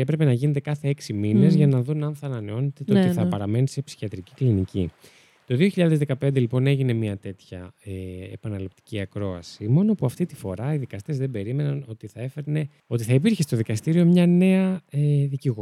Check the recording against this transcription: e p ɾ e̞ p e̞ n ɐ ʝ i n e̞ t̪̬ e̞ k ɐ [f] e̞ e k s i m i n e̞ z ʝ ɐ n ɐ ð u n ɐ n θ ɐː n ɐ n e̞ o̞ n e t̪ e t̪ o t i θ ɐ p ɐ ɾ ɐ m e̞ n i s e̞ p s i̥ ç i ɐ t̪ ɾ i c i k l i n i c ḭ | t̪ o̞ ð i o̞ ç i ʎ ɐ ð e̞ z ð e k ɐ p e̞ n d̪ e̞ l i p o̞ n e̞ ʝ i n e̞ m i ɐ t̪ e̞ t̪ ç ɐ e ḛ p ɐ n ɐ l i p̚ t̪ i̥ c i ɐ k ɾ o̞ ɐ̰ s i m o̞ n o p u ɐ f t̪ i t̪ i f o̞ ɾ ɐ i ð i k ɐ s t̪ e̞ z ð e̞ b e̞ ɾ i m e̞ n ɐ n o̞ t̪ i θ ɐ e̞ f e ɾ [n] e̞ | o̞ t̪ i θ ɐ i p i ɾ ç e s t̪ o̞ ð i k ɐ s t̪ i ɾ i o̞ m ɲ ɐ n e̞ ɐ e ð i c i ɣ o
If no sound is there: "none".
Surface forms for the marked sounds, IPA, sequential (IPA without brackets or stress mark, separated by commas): θ, n